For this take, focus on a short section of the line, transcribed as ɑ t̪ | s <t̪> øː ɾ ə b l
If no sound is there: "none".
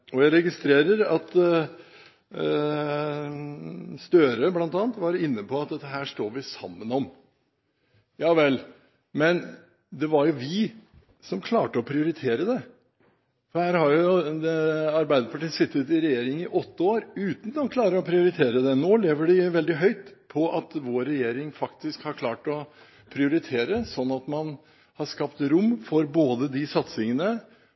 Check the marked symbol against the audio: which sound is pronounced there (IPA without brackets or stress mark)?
t̪